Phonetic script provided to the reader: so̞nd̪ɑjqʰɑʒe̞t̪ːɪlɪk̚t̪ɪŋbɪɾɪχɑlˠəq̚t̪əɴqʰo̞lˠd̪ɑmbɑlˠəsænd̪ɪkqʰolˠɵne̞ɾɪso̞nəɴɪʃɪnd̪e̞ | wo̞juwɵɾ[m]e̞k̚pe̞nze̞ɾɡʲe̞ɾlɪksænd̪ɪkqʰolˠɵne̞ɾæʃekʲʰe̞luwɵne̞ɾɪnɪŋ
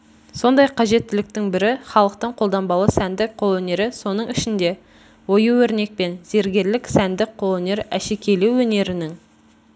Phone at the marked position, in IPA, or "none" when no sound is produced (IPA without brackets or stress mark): n